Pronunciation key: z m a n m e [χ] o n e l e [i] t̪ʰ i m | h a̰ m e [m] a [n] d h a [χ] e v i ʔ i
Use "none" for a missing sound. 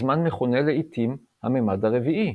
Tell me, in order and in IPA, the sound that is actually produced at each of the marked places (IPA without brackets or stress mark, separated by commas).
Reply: χ, i, m, none, ʁ